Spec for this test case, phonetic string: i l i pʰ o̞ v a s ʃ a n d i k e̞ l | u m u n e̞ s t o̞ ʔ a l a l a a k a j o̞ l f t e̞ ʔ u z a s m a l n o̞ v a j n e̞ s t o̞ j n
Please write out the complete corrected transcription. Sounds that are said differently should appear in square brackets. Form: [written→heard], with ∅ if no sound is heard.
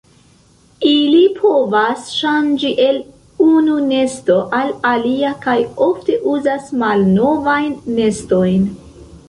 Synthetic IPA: i l i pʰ o̞ v a s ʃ a n [d→d͡ʒ] i [k→ʔ] e̞ l | u [m→n] u n e̞ s t o̞ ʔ a l a l [a→i] a k a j o̞ [l→∅] f t e̞ ʔ u z a s m a l n o̞ v a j [n→nː] e̞ s t o̞ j n